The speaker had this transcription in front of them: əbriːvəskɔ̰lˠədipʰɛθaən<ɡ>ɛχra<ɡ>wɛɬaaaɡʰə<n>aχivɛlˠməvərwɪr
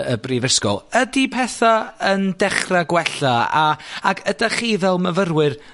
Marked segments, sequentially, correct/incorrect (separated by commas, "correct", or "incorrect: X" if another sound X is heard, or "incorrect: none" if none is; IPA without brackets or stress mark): incorrect: d, correct, incorrect: d